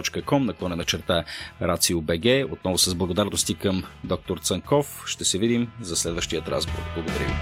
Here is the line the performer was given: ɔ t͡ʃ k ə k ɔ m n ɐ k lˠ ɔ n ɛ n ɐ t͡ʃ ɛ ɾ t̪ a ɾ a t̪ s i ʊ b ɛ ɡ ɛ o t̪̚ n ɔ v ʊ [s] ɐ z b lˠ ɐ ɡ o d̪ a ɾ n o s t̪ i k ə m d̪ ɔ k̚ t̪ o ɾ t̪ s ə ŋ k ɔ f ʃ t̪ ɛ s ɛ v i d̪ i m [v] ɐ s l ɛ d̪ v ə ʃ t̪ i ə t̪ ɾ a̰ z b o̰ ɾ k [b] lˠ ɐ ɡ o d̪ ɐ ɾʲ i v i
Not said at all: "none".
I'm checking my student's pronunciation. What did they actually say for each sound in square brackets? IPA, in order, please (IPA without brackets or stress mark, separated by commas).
s, z, b